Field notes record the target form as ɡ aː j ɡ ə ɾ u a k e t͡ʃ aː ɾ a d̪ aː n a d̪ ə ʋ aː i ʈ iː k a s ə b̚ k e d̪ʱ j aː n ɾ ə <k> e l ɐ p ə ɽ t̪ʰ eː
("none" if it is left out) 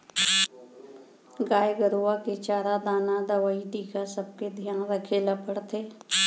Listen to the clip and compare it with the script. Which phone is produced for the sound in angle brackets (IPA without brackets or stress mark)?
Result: kʰ